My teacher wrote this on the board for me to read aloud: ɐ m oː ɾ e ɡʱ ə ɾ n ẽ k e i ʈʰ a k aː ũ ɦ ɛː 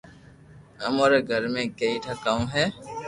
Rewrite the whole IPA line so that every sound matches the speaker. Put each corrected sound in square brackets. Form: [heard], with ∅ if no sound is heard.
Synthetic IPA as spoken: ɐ m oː ɾ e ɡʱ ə ɾ [m] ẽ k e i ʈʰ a k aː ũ ɦ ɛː